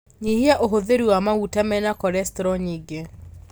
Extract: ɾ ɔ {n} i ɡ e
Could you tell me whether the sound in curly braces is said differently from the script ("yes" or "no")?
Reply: yes